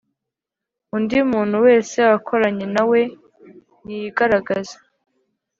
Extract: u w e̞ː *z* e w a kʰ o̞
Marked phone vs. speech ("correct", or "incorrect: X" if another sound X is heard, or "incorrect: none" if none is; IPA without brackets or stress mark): incorrect: s